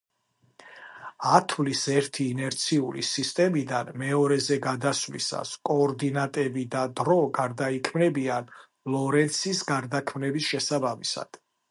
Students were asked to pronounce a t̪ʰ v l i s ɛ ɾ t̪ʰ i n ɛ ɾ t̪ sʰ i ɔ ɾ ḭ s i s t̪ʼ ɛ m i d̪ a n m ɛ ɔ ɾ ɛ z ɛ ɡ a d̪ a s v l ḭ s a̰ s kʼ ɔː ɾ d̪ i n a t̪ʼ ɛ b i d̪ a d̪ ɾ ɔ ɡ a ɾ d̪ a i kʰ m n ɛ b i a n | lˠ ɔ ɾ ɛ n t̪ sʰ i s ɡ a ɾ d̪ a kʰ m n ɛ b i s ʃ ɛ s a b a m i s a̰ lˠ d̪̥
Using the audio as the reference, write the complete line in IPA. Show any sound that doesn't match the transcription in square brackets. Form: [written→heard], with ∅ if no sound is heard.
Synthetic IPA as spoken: a t̪ʰ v l i s ɛ ɾ t̪ʰ [i→iː] n ɛ ɾ t̪ sʰ i [ɔ→u] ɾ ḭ s i s t̪ʼ ɛ m i d̪ a n m ɛ ɔ ɾ ɛ z ɛ ɡ a d̪ a s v l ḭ s a̰ s kʼ ɔː ɾ d̪ i n a t̪ʼ ɛ b i d̪ a d̪ ɾ ɔ ɡ a ɾ d̪ a i kʰ m n ɛ b i a n | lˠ ɔ ɾ ɛ n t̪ sʰ i s ɡ a ɾ d̪ a kʰ m n ɛ b i s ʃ ɛ s a b a m i s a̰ [lˠ→∅] d̪̥